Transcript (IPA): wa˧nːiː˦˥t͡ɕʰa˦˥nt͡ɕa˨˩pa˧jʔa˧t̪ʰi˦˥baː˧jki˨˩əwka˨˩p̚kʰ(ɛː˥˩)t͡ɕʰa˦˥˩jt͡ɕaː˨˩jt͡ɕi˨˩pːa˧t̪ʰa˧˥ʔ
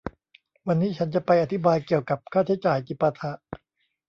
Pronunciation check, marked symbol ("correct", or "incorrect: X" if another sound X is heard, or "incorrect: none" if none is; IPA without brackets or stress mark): incorrect: aː˥˩